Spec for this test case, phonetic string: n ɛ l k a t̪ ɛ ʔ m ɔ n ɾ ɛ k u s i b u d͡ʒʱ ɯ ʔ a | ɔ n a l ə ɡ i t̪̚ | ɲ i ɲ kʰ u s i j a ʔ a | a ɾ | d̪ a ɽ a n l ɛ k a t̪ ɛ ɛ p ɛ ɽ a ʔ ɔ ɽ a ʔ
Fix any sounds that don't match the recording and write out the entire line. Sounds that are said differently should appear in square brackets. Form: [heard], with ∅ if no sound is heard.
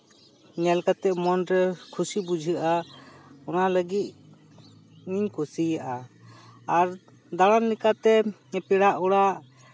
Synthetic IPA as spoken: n ɛ l k a t̪ ɛ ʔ m ɔ n ɾ ɛ [kʰ] u s i b u d͡ʒʱ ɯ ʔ a | ɔ n a l ə ɡ i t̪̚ | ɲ i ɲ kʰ u s i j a ʔ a | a ɾ | d̪ a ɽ a n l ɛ k a t̪ ɛ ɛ p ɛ ɽ a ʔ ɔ ɽ a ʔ